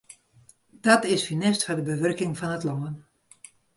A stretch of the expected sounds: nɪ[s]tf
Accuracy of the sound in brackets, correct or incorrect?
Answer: correct